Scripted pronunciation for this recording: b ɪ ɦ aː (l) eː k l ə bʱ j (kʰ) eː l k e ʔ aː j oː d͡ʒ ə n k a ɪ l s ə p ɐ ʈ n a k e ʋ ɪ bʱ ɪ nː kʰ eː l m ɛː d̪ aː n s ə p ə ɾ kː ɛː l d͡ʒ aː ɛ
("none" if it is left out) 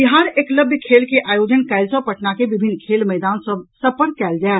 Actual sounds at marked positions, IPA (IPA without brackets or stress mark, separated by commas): ɾ, kʰ